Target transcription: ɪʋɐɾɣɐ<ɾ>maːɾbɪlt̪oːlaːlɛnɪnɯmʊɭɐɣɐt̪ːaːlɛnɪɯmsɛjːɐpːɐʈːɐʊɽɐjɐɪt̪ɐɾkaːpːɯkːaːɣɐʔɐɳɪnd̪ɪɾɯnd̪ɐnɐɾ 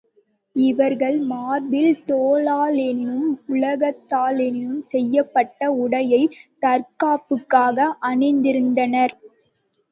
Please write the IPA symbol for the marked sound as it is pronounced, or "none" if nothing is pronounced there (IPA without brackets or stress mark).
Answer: ɭ